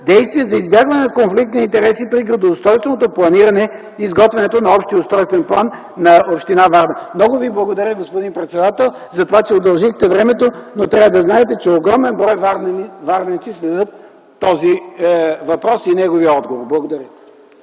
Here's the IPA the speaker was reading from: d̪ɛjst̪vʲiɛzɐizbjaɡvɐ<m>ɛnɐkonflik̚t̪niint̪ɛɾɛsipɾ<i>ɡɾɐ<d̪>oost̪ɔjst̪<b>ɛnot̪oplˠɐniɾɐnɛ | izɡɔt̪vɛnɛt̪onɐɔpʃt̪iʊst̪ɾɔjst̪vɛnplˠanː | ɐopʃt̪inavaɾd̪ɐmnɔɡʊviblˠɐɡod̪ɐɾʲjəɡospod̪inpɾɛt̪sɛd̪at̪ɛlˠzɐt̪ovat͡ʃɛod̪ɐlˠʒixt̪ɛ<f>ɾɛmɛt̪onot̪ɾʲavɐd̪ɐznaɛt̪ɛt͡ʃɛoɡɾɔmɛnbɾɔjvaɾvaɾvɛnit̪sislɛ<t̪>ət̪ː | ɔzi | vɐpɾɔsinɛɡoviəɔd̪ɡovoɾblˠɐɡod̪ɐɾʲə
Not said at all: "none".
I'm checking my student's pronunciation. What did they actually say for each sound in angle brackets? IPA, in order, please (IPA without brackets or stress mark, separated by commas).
n, i, d̪, v, v, d̪